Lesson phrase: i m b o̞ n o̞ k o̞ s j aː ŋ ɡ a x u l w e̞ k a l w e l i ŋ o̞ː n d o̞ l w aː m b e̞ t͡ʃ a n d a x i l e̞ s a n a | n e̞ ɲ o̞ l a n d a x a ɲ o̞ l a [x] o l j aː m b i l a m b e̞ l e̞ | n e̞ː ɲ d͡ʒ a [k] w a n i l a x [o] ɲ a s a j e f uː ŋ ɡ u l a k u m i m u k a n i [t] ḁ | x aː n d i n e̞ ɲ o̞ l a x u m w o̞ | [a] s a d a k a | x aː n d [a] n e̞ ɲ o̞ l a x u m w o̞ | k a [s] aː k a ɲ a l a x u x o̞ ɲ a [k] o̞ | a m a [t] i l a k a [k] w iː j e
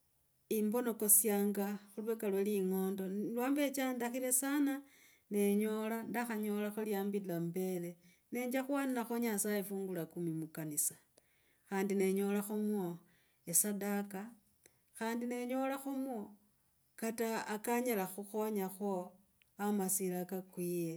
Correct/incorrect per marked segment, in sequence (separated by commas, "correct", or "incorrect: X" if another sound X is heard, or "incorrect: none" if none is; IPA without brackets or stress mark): correct, incorrect: x, correct, incorrect: s, incorrect: e, incorrect: i, incorrect: t, incorrect: x, incorrect: s, correct